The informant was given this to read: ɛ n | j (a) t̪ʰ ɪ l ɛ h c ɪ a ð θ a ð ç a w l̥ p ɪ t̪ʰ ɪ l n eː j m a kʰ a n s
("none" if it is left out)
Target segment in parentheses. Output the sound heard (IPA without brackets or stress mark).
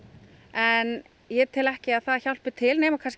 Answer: ɛ